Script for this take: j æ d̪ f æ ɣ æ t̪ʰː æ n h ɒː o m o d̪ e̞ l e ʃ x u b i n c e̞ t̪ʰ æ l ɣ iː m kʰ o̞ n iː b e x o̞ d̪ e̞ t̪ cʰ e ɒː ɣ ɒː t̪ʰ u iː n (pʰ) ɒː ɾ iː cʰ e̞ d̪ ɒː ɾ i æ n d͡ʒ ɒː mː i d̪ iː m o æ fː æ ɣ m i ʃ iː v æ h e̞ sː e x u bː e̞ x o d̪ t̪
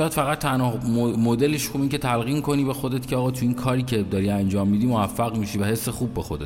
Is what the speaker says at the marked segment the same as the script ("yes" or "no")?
no